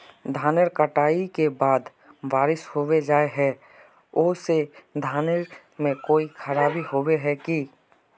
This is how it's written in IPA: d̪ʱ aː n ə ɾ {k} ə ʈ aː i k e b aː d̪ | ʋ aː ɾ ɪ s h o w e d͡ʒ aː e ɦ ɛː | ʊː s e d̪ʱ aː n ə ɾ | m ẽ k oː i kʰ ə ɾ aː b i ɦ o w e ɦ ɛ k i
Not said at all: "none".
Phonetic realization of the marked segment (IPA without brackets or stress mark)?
k